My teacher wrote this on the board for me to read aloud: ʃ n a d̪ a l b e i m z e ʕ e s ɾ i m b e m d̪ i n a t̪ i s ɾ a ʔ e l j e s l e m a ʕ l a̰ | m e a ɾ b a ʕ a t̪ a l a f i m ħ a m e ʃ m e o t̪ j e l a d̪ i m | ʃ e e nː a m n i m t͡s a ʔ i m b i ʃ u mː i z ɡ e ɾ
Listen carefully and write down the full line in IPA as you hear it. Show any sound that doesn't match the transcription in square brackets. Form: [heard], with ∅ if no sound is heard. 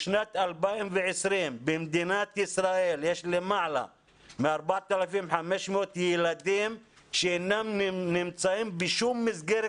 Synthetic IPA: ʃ n a [t̪] a l b [a] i m [v] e ʕ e s ɾ i m b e m d̪ i n a t̪ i s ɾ a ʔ e l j e [ʃ] l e m a ʕ l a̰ | m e a ɾ b a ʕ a t̪ a l a f i m ħ a m e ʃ m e o t̪ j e l a d̪ i m | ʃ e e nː a m n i m t͡s a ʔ i m b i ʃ u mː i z ɡ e ɾ